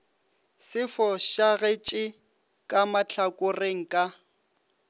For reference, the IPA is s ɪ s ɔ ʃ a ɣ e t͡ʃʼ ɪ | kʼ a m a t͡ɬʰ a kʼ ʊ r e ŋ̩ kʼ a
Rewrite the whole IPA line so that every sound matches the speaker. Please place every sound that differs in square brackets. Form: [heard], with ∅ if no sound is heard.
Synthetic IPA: s ɪ [f] ɔ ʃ a ɣ e t͡ʃʼ ɪ | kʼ a m a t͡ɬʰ a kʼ ʊ r e ŋ̩ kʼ a